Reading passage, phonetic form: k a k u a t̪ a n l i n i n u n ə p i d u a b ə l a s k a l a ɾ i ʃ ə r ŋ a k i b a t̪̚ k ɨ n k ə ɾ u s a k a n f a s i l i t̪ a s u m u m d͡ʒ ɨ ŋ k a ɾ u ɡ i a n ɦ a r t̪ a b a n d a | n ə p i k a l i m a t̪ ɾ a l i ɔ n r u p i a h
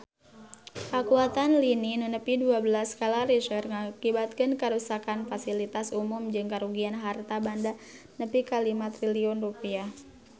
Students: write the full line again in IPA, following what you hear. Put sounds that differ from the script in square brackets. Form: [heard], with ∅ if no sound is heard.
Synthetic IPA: k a k u a t̪ a n l i n i n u n ə p i d u a b ə l a s k a l a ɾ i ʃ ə r ŋ a k i b a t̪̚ k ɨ n k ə ɾ u s a k a n f a s i l i t̪ a s u m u m d͡ʒ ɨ ŋ k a ɾ u ɡ i a n ɦ a r t̪ a b a n d a | n ə p i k a l i m a t̪ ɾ [i] l i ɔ n r u p i a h